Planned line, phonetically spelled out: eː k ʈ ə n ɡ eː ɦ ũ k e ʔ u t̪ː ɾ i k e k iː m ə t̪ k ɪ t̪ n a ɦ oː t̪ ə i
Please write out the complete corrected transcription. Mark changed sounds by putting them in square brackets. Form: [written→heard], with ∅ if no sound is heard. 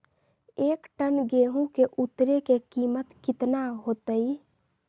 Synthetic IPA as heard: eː k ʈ ə n ɡ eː ɦ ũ k e ʔ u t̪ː ɾ [i→e] k e k iː m ə t̪ k ɪ t̪ n a ɦ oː t̪ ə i